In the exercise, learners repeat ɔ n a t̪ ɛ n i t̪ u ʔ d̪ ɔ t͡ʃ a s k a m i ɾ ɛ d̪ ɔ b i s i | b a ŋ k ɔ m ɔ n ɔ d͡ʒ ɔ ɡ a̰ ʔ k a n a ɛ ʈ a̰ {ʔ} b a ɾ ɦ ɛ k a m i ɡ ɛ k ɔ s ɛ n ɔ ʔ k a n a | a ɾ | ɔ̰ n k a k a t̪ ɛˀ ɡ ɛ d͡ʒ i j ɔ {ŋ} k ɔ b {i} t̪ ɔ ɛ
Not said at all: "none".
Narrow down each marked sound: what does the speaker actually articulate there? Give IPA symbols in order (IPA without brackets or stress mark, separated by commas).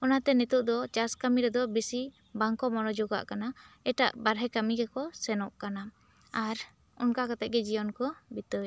ʔ, n, i